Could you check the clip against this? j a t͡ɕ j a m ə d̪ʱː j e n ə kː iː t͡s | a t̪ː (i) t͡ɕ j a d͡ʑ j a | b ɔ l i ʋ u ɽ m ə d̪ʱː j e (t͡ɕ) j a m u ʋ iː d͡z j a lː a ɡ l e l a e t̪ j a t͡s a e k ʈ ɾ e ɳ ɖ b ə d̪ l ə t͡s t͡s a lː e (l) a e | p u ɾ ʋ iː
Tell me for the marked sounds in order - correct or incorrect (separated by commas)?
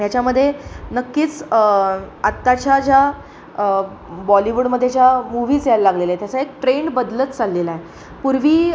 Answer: incorrect, correct, correct